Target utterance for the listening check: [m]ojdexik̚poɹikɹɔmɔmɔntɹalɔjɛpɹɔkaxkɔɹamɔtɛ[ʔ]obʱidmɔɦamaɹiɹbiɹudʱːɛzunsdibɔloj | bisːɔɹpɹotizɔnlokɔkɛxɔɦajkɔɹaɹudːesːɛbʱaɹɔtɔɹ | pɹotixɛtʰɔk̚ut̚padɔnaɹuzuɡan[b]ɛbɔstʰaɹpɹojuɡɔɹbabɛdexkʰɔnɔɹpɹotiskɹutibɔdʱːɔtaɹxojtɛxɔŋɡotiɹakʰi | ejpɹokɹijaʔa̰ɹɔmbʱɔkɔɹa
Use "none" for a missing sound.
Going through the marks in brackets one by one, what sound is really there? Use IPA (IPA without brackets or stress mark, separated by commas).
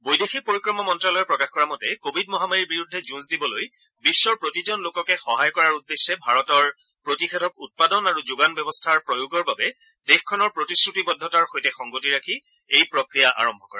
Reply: b, k, b